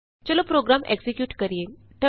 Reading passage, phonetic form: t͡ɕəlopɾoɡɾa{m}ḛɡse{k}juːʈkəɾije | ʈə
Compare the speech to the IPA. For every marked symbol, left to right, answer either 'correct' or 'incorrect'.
correct, correct

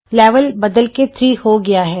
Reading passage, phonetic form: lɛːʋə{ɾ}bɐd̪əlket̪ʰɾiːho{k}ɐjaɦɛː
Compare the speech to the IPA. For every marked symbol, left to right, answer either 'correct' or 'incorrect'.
incorrect: l, incorrect: ɡ

